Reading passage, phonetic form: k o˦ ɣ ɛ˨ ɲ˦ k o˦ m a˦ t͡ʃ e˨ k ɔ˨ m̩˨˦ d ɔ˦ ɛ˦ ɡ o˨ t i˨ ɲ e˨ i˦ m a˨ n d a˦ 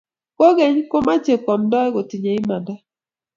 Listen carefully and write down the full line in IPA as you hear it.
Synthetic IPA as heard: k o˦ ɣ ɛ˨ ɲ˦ k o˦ m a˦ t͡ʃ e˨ k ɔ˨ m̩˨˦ d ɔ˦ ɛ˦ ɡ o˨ t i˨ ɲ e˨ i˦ m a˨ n d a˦

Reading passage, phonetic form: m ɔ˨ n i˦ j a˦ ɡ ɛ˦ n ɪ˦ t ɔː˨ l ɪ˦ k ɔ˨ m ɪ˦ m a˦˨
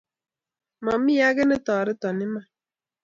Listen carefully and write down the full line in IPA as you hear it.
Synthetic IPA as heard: m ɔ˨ m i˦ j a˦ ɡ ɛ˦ n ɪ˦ t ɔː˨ ɾ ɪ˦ t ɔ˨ n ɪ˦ m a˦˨

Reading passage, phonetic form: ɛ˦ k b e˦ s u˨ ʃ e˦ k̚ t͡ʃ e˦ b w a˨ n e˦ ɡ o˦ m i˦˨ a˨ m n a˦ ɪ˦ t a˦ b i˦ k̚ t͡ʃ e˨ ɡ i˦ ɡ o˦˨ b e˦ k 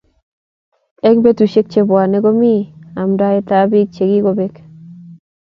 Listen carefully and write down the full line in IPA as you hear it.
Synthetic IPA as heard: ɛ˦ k b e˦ t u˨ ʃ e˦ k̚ t͡ʃ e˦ b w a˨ n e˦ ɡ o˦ m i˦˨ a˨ m d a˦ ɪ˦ t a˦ b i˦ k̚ t͡ʃ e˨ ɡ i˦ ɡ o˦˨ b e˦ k

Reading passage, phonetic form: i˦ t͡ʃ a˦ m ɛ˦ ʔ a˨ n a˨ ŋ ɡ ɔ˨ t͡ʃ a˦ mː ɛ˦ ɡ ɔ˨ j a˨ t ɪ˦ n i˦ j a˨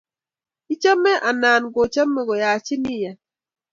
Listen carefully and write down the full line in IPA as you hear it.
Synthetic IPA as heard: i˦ t͡ʃ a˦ m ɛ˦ ʔ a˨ n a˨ n ɡ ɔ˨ t͡ʃ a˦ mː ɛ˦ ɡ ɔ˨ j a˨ t͡ʃ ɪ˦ n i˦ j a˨

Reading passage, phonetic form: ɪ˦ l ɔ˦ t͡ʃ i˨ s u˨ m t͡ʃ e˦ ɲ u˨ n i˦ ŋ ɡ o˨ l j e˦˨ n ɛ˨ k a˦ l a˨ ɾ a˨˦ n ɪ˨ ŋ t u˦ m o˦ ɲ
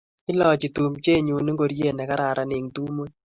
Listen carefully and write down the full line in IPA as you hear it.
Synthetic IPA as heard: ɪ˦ l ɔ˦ t͡ʃ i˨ t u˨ m t͡ʃ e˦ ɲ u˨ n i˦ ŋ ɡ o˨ ɾ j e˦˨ n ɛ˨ k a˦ ɾ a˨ ɾ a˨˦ n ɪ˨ ŋ t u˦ m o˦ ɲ

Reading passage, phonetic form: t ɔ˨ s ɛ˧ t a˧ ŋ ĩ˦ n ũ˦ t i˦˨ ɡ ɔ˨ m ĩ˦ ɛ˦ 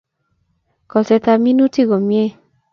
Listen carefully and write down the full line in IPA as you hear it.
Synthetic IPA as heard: k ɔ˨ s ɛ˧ t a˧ m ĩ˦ n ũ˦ t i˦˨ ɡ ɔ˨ m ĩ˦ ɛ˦

